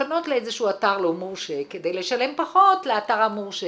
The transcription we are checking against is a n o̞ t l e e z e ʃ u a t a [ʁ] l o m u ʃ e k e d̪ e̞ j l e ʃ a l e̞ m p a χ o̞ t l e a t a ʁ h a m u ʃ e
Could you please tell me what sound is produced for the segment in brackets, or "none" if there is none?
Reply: ʁ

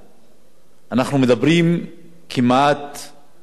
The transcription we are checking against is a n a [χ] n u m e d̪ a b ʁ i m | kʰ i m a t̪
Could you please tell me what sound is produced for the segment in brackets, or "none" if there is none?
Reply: χ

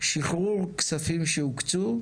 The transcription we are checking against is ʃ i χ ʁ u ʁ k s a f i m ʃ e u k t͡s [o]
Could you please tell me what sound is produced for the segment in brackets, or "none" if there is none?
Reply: u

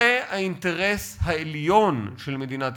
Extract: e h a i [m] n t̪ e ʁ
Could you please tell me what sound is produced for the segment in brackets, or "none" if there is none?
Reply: none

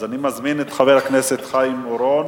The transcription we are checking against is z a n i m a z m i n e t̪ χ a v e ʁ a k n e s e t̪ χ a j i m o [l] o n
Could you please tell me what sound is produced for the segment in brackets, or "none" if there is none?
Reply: ɾ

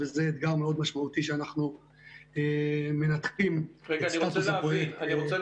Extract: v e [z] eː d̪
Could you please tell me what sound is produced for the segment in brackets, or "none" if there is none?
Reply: z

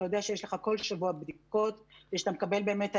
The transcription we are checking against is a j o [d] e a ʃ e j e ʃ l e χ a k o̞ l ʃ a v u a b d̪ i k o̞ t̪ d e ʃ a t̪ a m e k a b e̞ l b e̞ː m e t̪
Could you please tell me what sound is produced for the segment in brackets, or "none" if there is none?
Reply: d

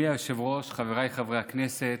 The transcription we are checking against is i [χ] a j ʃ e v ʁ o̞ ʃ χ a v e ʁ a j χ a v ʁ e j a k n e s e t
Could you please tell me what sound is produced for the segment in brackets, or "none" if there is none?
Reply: none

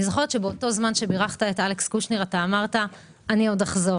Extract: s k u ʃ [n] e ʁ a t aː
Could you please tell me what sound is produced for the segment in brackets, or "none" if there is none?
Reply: n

